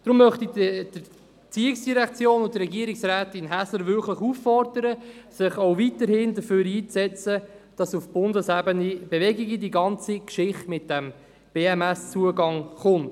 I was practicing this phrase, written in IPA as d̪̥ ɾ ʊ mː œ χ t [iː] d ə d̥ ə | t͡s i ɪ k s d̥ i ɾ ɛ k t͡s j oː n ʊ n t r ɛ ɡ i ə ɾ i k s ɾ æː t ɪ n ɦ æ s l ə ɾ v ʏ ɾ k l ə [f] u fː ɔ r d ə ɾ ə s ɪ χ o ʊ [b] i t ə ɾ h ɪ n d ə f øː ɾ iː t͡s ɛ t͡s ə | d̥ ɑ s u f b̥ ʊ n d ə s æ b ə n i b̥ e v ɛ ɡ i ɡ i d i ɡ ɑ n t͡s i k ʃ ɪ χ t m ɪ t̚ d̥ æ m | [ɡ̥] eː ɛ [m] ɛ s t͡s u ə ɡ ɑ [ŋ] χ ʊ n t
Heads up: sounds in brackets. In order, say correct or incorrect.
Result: incorrect: i, incorrect: χ, incorrect: v, incorrect: b̥, correct, correct

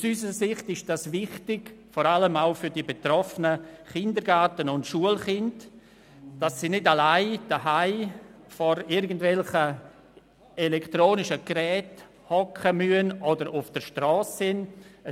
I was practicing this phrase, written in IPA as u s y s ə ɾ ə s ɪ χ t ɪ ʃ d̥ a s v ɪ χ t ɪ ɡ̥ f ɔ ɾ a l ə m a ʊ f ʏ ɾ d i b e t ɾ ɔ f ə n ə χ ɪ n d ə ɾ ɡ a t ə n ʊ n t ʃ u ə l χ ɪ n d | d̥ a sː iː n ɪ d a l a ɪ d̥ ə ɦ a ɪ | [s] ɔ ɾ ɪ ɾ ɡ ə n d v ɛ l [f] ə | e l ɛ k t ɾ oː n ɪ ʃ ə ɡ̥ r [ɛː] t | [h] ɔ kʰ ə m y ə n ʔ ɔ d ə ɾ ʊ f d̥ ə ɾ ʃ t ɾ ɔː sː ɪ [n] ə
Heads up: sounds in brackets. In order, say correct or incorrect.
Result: incorrect: f, incorrect: χ, correct, correct, correct

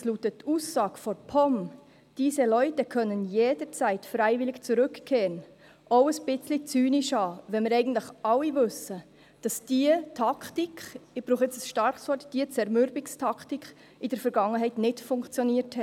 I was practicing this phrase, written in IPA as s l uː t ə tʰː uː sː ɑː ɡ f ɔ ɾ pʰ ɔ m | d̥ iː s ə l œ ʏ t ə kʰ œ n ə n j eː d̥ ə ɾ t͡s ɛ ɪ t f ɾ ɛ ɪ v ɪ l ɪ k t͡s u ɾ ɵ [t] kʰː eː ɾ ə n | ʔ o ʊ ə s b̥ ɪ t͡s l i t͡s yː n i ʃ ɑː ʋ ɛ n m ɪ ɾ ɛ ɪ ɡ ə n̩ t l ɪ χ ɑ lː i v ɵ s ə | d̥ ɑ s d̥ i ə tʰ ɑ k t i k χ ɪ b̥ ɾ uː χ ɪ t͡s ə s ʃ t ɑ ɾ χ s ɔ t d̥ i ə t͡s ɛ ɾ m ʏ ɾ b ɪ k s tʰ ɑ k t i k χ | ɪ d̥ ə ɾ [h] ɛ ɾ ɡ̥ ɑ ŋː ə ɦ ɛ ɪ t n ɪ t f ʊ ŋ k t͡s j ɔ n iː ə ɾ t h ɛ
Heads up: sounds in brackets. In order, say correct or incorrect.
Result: incorrect: k, incorrect: f

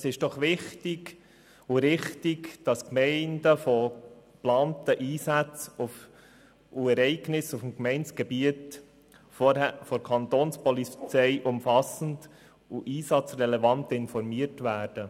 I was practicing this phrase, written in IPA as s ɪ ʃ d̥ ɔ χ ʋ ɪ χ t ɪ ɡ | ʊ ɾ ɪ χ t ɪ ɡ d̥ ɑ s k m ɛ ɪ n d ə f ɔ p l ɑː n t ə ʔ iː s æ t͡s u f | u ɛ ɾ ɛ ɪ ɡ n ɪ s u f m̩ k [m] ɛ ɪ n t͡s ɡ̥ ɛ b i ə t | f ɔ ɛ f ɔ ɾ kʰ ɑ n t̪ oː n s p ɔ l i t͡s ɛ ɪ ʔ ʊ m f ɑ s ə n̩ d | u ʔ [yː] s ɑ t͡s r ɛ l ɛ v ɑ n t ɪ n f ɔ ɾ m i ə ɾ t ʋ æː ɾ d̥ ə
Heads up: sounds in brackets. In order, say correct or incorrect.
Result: correct, incorrect: iː

